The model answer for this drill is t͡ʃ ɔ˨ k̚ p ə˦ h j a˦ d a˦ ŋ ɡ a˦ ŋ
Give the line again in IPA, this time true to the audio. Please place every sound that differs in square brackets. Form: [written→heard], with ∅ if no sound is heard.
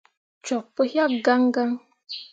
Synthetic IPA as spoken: t͡ʃ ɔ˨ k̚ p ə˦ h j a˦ [d→ɡ] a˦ ŋ ɡ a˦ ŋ